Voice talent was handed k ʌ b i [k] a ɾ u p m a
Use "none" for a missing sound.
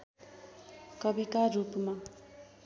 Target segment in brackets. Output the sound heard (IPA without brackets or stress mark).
k